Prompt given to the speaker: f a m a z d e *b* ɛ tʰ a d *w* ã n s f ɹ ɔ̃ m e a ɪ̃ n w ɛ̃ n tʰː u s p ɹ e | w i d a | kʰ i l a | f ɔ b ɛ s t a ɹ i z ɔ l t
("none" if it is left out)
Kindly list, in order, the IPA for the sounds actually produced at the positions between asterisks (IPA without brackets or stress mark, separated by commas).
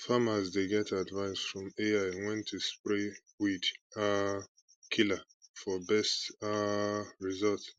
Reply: ɡ, v